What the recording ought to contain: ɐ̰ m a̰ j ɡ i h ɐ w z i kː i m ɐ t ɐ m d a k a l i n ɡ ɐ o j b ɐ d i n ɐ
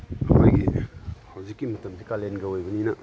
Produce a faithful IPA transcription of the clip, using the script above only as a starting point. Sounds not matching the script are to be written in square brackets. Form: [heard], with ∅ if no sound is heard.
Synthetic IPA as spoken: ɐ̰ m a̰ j ɡ i h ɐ w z i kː i m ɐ t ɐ m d [i] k a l [e] n ɡ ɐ o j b ɐ [n] i n ɐ